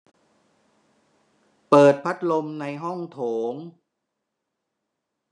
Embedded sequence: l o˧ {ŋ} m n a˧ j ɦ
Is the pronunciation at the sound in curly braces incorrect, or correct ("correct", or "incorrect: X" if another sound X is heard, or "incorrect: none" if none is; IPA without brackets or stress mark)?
incorrect: none